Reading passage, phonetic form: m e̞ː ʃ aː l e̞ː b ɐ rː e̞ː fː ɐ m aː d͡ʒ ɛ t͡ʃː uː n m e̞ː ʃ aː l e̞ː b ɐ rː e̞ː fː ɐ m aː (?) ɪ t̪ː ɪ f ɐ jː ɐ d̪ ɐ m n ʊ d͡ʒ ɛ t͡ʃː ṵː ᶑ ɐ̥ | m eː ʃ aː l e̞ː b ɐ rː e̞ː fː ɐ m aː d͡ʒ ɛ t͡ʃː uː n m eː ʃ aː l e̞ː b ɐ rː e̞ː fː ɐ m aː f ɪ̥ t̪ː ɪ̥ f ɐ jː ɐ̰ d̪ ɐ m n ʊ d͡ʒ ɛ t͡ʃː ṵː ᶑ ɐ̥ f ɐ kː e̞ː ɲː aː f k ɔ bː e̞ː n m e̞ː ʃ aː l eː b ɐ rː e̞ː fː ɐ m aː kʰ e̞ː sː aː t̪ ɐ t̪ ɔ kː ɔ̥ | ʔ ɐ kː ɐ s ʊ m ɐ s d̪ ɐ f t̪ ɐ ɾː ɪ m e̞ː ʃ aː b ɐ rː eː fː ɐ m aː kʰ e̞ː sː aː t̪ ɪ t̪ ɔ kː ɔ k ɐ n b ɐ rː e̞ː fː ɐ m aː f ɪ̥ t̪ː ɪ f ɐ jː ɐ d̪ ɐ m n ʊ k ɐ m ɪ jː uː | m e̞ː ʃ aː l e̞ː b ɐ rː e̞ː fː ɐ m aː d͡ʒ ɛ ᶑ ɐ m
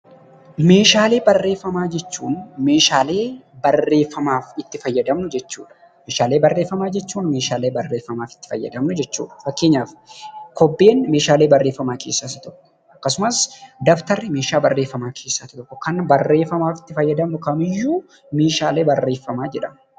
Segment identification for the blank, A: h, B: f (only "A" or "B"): B